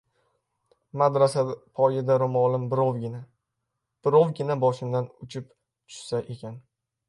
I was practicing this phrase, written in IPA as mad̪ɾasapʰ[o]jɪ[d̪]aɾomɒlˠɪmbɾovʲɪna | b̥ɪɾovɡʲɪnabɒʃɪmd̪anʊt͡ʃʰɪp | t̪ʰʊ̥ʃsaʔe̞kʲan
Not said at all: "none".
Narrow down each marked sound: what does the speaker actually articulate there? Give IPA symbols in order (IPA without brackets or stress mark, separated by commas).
ɒ, d̪